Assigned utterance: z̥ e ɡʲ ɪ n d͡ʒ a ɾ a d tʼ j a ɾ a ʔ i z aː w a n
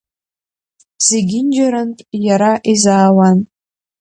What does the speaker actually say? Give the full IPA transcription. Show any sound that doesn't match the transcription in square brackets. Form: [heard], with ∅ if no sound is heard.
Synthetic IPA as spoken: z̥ e ɡʲ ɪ n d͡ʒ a ɾ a [n] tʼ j a ɾ a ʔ i z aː w a n